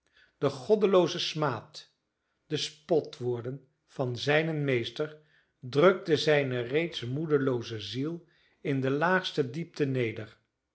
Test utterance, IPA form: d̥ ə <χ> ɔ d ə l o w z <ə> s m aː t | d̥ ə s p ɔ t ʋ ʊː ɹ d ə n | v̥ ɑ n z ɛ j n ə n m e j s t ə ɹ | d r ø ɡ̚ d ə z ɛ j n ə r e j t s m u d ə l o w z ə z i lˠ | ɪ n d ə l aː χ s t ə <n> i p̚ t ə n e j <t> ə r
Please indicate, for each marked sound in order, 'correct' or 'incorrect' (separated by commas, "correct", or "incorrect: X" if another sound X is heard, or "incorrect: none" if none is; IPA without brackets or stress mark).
correct, correct, incorrect: d, incorrect: d